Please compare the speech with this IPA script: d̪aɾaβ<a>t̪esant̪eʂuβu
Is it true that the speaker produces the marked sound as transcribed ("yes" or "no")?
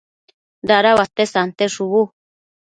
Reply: yes